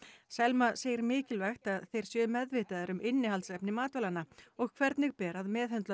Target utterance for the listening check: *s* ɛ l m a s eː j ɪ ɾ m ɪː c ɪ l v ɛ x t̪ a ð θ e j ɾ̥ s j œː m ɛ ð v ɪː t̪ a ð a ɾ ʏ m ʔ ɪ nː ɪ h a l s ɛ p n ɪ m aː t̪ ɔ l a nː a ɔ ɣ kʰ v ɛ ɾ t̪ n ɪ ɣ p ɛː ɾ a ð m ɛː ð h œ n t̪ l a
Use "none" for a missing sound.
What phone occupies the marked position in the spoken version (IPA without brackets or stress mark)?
s